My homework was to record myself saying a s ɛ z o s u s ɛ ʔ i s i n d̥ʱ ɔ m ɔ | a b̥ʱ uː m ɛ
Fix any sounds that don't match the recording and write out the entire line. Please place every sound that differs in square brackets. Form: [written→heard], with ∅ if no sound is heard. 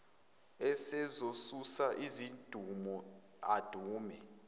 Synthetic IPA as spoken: [a→ɛ] s ɛ z o s u s [ɛ→a] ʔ i [s→z] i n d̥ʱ [ɔ→u] m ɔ | a [b̥ʱ→d̥ʱ] uː m ɛ